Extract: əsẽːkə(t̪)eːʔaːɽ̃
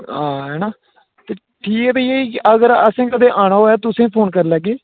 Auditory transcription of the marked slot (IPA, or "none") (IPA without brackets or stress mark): d̪